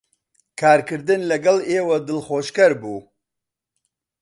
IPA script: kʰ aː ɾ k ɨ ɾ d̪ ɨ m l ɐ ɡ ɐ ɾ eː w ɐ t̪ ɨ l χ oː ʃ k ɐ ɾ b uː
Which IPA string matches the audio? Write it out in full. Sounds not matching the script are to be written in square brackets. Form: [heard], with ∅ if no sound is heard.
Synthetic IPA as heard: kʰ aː ɾ k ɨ ɾ d̪ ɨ [n] l ɐ ɡ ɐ [l] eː w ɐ [d̪] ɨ l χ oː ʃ k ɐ ɾ b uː